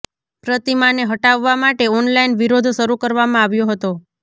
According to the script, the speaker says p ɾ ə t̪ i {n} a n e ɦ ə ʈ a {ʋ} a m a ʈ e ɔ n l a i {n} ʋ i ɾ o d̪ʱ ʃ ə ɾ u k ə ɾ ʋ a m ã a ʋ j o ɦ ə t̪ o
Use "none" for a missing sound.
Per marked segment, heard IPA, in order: m, ʋː, n

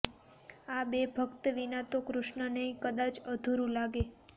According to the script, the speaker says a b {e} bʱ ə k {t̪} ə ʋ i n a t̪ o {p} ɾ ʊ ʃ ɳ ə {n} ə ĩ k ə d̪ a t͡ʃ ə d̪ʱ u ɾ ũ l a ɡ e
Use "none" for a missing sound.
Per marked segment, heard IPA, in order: e, t̪, k, n

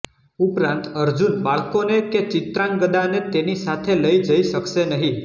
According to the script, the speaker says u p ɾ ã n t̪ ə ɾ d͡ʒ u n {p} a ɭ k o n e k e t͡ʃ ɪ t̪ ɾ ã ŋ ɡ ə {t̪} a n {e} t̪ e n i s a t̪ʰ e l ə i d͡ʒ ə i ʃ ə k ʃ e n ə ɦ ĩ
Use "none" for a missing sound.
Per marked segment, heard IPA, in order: b, d̪, e

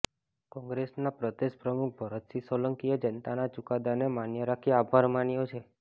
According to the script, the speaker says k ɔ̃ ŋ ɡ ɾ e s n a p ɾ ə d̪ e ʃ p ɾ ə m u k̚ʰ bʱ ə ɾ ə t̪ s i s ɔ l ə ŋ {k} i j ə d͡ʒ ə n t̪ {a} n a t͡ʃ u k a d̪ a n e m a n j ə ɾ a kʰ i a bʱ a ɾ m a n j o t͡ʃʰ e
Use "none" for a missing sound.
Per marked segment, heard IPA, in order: k, a

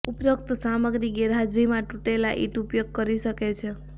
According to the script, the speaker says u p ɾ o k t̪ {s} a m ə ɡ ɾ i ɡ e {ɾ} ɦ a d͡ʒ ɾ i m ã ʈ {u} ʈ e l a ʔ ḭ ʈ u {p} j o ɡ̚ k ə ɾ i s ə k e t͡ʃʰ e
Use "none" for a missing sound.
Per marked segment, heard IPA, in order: s, ɾ, u, p

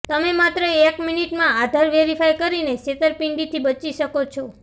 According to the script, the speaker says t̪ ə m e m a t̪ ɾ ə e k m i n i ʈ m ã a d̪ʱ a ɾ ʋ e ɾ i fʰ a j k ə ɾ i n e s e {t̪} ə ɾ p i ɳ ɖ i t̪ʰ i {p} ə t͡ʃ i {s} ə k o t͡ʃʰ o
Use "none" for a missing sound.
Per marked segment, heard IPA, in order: t̪, b, ʃ

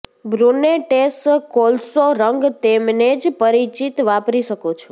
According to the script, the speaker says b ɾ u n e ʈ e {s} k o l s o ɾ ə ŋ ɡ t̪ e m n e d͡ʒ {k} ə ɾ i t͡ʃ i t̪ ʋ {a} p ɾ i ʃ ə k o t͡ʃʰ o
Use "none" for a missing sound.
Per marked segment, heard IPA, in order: s, p, a

